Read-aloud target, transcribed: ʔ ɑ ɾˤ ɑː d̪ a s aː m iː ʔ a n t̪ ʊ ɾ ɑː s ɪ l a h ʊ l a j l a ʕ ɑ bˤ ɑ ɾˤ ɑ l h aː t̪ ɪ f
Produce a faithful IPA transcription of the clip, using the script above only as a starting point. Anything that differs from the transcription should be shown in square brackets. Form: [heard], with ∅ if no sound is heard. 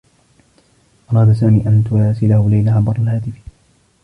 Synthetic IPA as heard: ʔ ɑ ɾˤ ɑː d̪ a s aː m iː ʔ a n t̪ ʊ ɾ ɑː s ɪ l a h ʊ l a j l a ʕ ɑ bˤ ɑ ɾˤ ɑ l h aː t̪ ɪ f